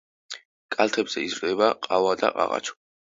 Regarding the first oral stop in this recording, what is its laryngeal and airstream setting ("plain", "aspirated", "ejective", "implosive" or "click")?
ejective